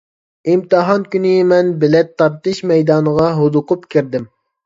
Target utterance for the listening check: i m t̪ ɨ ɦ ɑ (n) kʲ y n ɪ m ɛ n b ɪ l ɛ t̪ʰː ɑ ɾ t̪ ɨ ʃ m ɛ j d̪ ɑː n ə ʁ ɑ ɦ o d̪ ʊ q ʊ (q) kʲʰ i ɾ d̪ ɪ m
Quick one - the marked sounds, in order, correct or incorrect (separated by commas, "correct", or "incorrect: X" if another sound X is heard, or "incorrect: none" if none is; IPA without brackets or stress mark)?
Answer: correct, incorrect: p